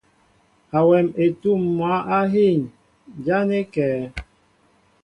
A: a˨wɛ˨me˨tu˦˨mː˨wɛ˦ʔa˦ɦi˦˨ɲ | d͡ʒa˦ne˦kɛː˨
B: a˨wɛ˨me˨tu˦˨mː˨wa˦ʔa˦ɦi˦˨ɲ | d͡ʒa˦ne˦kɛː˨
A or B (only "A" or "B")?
B